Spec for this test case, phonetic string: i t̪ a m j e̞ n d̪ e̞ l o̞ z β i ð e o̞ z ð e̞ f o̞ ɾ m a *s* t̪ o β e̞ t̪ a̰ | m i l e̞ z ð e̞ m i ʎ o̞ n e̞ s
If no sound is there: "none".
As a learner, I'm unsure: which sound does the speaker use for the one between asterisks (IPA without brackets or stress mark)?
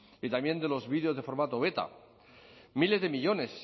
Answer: none